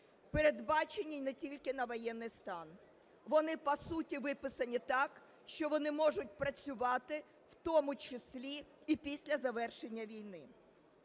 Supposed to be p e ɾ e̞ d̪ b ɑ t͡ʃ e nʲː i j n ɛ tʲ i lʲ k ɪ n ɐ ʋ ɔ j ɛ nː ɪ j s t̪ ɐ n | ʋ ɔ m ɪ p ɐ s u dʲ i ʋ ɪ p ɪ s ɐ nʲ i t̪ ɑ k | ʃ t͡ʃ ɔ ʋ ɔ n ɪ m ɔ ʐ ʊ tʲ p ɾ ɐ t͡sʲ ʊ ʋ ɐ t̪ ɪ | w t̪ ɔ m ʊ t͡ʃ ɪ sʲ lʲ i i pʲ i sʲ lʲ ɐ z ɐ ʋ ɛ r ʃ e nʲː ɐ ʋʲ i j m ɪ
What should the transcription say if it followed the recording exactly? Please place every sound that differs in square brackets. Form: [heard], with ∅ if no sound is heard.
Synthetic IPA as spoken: p e ɾ e̞ d̪ b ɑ t͡ʃ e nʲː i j n ɛ tʲ i lʲ k ɪ n ɐ ʋ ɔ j ɛ nː ɪ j s t̪ [ɑ] n | ʋ ɔ [n] ɪ p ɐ s u [tʲ] i ʋ ɪ p ɪ s ɐ nʲ i t̪ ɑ k | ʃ t͡ʃ ɔ ʋ ɔ n ɪ m ɔ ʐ ʊ tʲ p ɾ ɐ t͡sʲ ʊ ʋ [ɑ] t̪ ɪ | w t̪ ɔ m ʊ t͡ʃ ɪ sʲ lʲ i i pʲ i sʲ lʲ ɐ z ɐ ʋ ɛ r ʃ e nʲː ɐ ʋʲ i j [n] ɪ